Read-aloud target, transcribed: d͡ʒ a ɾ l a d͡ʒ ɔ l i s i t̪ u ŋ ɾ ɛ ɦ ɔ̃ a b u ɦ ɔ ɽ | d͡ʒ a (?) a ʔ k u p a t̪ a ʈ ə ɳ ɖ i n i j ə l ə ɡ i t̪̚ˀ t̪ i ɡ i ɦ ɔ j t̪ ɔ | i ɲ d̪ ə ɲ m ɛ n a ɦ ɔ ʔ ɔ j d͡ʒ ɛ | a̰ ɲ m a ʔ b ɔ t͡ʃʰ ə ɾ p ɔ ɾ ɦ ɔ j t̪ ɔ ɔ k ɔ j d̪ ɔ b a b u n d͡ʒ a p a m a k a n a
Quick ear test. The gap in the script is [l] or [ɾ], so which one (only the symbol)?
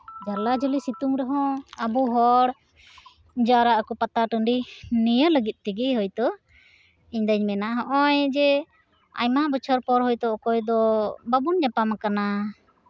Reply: ɾ